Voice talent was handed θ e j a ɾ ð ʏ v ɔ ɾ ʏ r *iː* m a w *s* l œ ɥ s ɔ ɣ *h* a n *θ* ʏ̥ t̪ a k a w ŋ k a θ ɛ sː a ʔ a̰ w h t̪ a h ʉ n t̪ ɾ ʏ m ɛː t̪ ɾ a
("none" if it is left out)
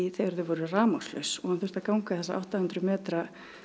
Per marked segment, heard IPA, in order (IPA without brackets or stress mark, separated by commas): aː, s, h, θ